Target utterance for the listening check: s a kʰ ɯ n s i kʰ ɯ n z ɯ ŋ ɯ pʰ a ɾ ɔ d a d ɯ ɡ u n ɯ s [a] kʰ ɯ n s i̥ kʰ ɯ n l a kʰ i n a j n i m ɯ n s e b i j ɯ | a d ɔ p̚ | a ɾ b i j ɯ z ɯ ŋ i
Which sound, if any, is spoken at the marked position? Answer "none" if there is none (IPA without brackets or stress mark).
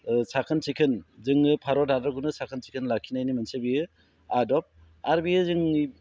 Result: a